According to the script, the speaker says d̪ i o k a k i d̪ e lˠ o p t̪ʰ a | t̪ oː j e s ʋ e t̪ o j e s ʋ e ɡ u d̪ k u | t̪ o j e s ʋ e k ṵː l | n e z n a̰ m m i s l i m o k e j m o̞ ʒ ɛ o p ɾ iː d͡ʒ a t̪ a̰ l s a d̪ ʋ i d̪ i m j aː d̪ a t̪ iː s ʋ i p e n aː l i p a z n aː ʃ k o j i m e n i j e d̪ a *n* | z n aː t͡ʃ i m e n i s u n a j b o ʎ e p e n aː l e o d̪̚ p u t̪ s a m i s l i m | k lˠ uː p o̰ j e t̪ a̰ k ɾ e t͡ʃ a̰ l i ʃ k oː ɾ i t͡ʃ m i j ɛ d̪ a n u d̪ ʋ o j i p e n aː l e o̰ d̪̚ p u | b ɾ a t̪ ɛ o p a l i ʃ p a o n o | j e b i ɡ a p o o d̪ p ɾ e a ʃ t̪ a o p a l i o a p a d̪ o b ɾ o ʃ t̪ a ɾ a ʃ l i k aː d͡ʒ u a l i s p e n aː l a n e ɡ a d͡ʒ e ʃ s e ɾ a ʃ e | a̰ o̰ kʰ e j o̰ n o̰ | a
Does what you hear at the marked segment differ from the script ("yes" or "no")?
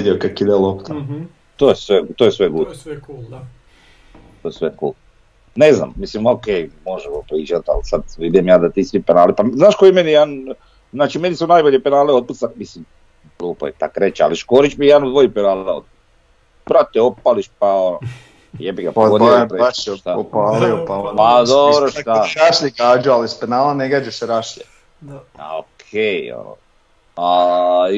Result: no